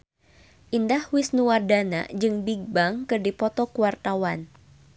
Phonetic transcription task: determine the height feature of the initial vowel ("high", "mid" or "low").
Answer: high